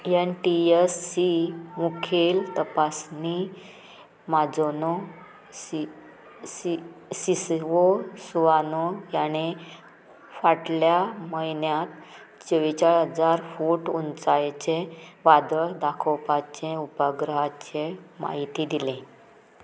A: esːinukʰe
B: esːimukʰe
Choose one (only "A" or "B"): B